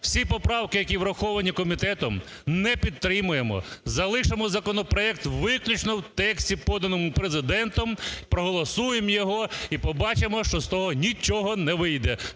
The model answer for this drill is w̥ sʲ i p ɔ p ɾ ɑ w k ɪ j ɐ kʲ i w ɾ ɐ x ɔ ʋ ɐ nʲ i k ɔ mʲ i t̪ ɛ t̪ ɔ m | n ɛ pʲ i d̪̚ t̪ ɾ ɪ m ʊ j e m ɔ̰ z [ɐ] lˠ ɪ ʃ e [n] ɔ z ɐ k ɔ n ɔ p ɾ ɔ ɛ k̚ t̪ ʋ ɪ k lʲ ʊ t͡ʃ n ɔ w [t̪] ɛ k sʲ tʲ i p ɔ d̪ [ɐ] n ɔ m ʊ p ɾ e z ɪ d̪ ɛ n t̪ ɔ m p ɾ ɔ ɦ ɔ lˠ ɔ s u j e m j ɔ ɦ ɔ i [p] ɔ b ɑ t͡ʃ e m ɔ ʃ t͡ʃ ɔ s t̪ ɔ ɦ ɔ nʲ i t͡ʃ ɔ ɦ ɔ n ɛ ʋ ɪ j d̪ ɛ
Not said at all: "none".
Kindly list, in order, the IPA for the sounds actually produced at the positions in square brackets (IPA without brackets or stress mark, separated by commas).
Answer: ɐ, m, t̪, ɐ, p